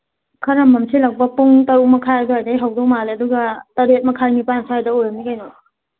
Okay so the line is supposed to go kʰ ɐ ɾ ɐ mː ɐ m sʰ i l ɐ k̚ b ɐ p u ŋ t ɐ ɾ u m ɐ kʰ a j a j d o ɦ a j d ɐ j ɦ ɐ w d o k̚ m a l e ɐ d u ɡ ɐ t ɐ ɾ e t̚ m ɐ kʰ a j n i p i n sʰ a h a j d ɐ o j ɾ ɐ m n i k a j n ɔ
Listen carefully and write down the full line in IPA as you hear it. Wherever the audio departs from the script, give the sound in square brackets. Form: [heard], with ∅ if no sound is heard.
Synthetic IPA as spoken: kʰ ɐ ɾ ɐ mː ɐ m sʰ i l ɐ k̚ b ɐ p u ŋ t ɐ ɾ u m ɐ kʰ a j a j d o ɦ a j d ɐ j ɦ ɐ w d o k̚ m a l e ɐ d u ɡ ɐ t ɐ ɾ e t̚ m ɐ kʰ a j n i p [a] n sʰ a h a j d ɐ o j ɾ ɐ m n i k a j n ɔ